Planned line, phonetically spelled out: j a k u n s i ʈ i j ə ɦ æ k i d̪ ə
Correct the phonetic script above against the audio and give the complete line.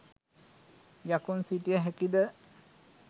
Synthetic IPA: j a k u n s i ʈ i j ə ɦ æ k i d̪ ə